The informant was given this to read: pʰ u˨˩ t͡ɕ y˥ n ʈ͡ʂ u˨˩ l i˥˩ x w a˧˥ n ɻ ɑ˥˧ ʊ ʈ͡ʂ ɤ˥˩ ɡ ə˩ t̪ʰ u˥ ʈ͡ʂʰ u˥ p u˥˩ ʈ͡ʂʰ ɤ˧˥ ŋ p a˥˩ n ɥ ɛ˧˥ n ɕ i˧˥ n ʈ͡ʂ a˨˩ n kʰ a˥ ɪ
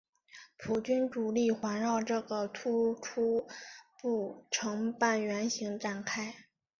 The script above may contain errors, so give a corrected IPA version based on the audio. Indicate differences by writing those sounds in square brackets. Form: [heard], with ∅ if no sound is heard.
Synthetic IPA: pʰ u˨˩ t͡ɕ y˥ n ʈ͡ʂ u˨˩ l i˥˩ x w a˧˥ n ɻ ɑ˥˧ ʊ ʈ͡ʂ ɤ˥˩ ɡ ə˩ t̪ʰ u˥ ʈ͡ʂʰ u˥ p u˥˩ ʈ͡ʂʰ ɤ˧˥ ŋ p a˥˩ n ɥ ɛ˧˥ n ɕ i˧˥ [ŋ] ʈ͡ʂ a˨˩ n kʰ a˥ ɪ